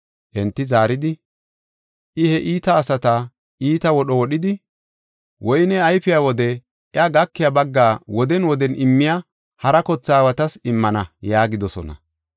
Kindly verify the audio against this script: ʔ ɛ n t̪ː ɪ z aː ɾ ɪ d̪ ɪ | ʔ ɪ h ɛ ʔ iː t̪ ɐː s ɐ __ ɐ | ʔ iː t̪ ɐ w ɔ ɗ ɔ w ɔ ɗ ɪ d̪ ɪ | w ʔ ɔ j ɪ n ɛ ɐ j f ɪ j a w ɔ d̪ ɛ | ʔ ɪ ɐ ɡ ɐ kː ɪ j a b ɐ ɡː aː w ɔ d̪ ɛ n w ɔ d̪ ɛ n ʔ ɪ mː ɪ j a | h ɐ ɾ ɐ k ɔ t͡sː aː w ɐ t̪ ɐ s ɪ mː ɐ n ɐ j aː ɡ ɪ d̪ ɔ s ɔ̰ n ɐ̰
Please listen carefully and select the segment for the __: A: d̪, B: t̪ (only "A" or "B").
B